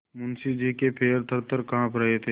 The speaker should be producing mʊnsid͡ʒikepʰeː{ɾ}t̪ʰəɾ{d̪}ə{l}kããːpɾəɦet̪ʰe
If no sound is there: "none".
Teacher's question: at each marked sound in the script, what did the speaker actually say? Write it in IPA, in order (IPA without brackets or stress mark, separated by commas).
ɾ, t̪, ɾ